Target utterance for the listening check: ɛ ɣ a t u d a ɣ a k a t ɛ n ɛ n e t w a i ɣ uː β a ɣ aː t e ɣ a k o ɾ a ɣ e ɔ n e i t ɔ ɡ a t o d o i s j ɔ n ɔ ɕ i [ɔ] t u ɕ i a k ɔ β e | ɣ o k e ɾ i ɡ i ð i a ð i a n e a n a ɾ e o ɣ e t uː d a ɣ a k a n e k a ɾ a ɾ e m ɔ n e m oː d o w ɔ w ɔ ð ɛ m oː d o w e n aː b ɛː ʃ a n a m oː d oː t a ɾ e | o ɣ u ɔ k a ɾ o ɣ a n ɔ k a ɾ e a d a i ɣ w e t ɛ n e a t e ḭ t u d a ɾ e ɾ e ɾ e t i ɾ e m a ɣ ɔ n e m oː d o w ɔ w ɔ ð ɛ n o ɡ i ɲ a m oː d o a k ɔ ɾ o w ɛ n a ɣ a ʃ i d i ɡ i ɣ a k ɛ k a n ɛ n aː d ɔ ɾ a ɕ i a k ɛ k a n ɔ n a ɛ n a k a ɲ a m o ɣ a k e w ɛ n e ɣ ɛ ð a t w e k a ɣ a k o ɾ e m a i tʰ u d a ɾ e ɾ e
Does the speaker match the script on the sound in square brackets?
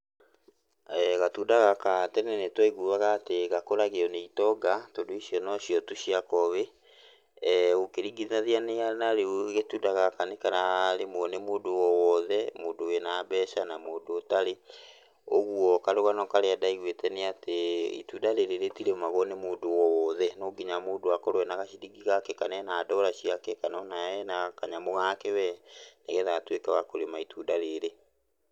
yes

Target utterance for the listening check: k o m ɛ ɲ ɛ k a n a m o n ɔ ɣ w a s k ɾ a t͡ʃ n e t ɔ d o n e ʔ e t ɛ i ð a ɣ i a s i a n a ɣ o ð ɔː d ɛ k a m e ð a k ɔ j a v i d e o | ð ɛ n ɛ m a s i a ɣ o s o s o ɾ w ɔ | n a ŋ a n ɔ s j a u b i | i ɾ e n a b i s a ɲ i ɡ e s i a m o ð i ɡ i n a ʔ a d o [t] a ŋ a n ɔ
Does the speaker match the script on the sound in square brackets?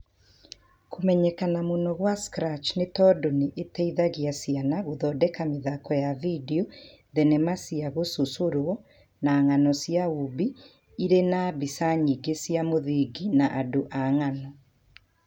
no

